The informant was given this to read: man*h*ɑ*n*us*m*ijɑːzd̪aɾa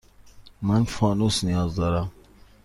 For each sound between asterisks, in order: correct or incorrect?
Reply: incorrect, correct, incorrect

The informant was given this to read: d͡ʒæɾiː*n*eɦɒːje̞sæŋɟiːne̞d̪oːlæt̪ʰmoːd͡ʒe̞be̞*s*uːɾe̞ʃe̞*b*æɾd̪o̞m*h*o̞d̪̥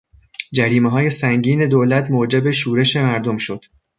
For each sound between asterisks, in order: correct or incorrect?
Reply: incorrect, incorrect, incorrect, incorrect

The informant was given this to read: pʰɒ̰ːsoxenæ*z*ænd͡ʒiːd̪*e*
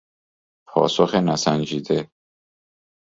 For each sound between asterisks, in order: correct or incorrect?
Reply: incorrect, correct

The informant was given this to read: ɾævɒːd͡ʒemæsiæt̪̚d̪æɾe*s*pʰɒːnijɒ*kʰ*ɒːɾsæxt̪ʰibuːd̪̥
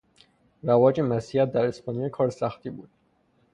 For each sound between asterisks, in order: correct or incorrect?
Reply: correct, correct

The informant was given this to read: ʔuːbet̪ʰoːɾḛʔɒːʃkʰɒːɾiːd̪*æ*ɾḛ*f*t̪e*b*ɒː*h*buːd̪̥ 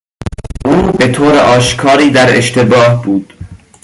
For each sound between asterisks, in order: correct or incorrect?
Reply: correct, incorrect, correct, correct

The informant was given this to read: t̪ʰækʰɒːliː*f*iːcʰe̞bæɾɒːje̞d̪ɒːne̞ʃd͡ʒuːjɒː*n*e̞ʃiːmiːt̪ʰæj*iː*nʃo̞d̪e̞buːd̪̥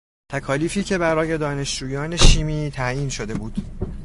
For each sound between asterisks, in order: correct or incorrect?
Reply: correct, correct, correct

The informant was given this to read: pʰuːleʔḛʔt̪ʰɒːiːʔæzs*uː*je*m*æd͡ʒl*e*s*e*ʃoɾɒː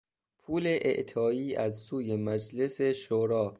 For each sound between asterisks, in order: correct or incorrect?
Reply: correct, correct, correct, correct

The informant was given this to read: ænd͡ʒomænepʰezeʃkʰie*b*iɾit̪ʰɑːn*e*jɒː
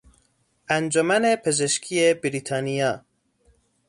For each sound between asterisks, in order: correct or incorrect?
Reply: correct, incorrect

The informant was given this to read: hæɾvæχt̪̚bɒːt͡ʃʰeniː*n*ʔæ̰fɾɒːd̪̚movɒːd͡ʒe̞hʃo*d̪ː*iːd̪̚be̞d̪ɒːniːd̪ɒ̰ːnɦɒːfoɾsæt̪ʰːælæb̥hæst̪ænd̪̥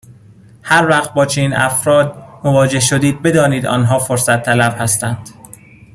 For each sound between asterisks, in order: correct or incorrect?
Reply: correct, incorrect

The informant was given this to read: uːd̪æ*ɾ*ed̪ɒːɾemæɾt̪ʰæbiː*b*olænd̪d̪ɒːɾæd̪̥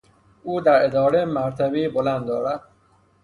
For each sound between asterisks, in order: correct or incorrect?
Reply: correct, correct

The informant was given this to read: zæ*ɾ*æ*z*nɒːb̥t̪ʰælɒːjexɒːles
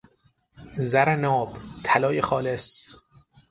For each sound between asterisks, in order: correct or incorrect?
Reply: correct, incorrect

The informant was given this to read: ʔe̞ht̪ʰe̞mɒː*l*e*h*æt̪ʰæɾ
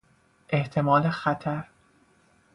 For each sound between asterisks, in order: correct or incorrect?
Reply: correct, incorrect

